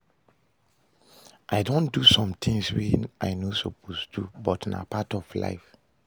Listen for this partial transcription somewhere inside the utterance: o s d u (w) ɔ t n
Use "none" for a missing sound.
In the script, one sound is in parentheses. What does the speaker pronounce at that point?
b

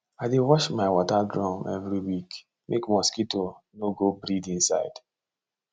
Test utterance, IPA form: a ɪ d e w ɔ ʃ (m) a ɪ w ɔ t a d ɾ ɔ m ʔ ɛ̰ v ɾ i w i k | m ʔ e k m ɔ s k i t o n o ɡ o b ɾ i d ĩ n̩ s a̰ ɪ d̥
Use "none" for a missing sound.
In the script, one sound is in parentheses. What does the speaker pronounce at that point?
m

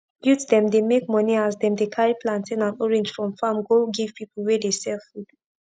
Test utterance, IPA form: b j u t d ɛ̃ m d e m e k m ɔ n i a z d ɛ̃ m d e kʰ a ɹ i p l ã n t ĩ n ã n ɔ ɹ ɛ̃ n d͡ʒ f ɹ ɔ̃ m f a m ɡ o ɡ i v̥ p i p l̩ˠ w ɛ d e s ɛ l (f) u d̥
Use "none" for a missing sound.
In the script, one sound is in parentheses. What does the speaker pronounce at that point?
f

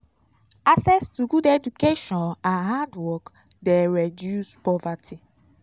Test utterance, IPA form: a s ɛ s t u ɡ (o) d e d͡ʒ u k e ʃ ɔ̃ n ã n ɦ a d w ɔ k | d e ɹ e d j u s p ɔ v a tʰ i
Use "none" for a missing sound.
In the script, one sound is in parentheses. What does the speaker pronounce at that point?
u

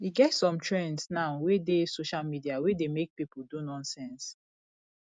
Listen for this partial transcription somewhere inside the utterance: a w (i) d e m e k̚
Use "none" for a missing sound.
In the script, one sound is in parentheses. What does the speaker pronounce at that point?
e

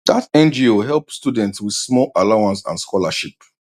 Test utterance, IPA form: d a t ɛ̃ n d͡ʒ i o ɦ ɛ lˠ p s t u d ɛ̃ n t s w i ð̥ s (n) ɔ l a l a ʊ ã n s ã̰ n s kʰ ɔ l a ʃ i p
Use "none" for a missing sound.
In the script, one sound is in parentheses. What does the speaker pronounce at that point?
m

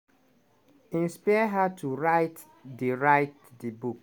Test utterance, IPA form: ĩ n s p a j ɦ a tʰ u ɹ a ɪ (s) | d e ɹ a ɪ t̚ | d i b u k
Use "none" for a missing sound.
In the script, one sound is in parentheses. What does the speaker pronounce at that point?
t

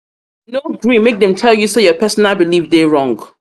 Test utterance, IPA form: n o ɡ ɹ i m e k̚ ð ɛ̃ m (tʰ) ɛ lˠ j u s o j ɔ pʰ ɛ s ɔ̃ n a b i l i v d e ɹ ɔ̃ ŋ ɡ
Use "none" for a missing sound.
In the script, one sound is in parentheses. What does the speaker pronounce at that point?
tʰ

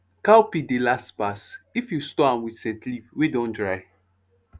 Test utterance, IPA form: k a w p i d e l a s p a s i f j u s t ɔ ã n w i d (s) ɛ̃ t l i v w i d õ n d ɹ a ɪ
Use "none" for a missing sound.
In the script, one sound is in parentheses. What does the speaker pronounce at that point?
s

